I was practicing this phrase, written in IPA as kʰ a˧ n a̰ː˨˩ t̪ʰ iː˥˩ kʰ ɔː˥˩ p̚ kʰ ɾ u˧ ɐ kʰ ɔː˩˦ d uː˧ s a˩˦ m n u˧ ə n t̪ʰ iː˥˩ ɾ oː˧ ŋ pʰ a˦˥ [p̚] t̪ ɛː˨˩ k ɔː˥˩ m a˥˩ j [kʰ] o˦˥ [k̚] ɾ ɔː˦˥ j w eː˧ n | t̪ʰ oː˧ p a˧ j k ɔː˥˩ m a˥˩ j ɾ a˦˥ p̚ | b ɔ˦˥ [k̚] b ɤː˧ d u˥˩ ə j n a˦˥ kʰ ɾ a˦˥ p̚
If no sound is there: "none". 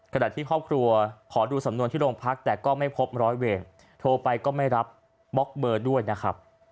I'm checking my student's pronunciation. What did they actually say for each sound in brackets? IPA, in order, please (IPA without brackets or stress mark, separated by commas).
k̚, pʰ, p̚, k̚